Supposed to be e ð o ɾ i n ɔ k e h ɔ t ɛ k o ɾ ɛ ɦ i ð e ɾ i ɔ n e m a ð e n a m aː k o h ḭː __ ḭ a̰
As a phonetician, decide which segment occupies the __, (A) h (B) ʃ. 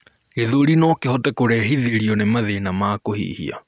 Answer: A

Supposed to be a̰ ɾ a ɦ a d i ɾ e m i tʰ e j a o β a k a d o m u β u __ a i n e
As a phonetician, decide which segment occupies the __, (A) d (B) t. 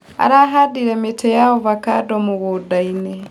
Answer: A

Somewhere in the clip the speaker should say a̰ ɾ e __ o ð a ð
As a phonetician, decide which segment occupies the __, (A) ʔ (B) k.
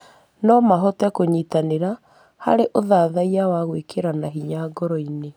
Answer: A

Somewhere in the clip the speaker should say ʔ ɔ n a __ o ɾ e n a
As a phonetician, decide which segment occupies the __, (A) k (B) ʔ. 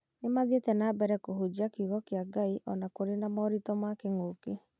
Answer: A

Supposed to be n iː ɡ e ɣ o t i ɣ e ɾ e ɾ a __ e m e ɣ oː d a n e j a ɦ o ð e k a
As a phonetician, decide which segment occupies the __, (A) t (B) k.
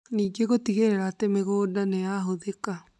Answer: A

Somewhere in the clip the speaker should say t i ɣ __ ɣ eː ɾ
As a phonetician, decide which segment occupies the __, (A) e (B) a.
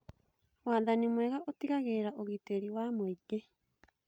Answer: B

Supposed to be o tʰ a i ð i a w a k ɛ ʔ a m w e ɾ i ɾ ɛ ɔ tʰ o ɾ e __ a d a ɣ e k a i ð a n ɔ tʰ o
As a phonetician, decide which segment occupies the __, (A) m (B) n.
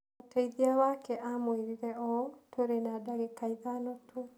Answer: B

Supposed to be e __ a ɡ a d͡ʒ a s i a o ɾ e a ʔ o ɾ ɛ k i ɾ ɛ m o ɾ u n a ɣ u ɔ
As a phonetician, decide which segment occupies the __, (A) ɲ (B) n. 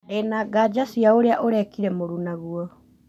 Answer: B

